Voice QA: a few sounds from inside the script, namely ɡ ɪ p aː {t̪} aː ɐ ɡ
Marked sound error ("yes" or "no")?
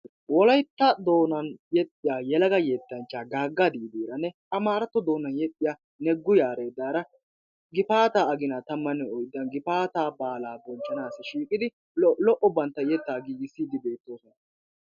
no